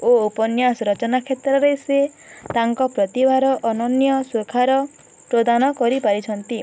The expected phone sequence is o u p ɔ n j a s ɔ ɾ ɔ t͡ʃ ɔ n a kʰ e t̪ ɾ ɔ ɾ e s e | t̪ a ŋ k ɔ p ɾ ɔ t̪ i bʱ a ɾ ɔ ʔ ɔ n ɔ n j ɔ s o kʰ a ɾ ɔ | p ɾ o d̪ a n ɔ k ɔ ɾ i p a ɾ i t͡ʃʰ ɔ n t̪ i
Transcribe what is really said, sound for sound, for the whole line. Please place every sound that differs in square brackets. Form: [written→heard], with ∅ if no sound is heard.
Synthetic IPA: o u p ɔ n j a s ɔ ɾ ɔ t͡ʃ ɔ n a kʰ e t̪ ɾ ɔ ɾ e s e | t̪ a ŋ k ɔ p ɾ ɔ t̪ i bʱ a ɾ ɔ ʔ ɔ n ɔ n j ɔ s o kʰ a ɾ ɔ | p ɾ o d̪ a n ɔ k ɔ ɾ i p a ɾ i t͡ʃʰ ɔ n t̪ i